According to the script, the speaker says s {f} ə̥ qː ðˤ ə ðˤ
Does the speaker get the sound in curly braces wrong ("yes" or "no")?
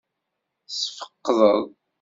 no